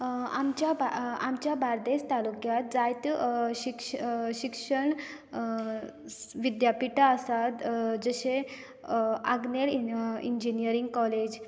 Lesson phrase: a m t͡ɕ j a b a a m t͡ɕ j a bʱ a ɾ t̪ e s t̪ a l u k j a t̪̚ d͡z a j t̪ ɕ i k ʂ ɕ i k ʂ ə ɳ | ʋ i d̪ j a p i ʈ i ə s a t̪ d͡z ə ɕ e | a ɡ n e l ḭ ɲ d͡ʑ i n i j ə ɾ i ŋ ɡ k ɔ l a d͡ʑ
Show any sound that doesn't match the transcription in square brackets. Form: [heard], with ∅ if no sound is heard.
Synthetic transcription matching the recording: a m t͡ɕ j a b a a m t͡ɕ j a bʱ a ɾ [d̪] e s t̪ a l u k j a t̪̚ d͡z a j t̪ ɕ i k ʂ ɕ i k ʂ ə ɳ | ʋ i d̪ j a p i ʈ [a] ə s a t̪ d͡z ə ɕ e | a ɡ n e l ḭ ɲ d͡ʑ i n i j ə ɾ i ŋ ɡ k ɔ l [e] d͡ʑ